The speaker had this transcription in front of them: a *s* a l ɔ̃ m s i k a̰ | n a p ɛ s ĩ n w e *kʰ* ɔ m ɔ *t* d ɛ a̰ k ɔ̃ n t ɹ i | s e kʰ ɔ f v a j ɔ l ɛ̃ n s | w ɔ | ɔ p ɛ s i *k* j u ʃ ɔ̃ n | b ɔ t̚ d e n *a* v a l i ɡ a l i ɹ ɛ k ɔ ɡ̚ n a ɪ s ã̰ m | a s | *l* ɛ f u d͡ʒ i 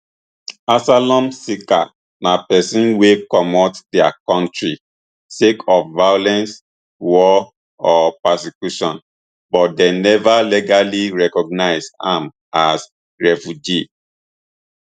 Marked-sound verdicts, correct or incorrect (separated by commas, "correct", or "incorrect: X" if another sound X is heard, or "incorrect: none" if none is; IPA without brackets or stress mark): correct, incorrect: k, correct, correct, incorrect: ɛ, incorrect: ɹ